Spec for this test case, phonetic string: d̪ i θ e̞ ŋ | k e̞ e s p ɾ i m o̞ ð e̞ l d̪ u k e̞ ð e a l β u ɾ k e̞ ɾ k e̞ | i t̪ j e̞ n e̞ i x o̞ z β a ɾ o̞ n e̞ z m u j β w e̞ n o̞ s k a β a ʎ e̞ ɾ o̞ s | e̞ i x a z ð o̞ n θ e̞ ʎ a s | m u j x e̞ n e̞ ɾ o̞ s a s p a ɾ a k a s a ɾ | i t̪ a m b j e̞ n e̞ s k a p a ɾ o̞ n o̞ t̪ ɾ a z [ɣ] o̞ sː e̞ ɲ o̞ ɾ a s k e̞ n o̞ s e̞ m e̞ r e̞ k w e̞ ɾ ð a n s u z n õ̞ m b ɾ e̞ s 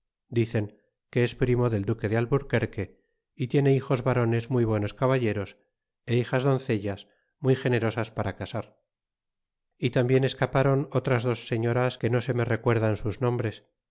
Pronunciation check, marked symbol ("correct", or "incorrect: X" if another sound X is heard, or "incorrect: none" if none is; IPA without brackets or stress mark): incorrect: ð